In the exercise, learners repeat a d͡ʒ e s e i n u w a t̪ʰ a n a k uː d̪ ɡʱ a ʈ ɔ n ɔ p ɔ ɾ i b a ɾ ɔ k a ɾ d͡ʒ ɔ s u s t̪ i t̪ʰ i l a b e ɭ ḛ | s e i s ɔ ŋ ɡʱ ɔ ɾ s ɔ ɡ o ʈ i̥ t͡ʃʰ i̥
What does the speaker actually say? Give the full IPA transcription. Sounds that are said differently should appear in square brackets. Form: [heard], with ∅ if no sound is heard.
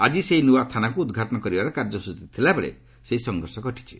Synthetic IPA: a d͡ʒ [i] s e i n u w a t̪ʰ a n a k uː d̪ ɡʱ a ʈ ɔ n ɔ [k] ɔ ɾ i b a ɾ ɔ k a ɾ d͡ʒ ɔ s u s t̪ i t̪ʰ i l a b e ɭ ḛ | s e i s ɔ ŋ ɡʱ ɔ ɾ s ɔ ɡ [ɔ] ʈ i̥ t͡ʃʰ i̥